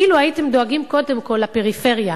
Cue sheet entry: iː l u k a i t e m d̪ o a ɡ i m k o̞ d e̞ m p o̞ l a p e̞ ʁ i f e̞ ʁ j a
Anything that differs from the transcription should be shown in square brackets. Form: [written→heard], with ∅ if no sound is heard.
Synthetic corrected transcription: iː l u [k→∅] a i t e m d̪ o a ɡ i m k o̞ d e̞ m [p→k] o̞ l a p e̞ ʁ i f e̞ ʁ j a